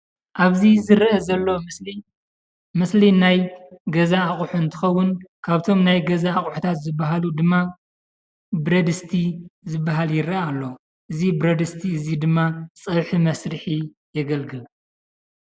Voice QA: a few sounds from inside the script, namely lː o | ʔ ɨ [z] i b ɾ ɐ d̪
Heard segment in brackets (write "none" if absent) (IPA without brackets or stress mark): z